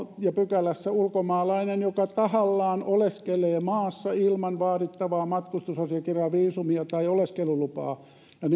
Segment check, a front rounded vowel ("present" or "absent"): present